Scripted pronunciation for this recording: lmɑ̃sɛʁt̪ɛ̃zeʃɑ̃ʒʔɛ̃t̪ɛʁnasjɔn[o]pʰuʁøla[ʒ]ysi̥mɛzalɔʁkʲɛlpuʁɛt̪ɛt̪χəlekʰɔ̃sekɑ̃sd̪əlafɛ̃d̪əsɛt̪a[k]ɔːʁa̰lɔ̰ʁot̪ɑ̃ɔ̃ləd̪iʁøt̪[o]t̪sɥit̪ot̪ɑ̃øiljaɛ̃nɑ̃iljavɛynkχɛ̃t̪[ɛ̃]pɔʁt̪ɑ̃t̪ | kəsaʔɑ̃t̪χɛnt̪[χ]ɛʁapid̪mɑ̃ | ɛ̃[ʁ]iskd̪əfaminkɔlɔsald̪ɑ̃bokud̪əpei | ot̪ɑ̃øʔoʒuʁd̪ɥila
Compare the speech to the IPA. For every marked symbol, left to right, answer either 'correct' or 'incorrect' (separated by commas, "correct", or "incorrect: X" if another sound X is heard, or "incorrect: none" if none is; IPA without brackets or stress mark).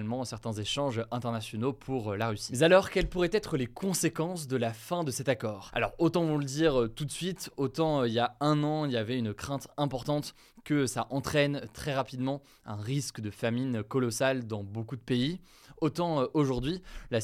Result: correct, incorrect: ʁ, correct, incorrect: u, correct, correct, correct